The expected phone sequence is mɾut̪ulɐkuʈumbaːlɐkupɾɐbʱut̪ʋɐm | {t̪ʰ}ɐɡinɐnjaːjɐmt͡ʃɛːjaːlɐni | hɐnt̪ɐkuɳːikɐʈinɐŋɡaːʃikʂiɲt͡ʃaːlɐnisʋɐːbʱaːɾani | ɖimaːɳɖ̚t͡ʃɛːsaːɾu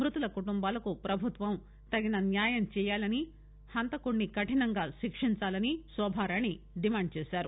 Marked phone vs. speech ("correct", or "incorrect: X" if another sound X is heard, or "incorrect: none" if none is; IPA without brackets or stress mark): incorrect: t̪